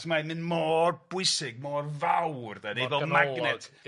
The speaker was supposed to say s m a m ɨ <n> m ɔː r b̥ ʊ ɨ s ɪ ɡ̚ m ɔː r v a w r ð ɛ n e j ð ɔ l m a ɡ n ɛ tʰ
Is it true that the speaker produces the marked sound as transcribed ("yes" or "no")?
yes